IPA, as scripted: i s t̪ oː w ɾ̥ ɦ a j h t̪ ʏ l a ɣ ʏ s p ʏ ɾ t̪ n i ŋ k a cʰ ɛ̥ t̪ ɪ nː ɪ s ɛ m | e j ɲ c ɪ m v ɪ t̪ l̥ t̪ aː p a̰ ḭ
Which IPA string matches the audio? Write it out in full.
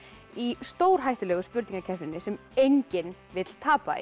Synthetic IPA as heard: i s t̪ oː w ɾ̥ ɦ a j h t̪ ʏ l ɛ ɣ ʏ s p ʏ ɾ t̪ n i ŋ k a cʰ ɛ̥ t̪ ɪ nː ɪ s ɛ m | e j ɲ c ɪ n v ɪ t̪ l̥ t̪ʰ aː p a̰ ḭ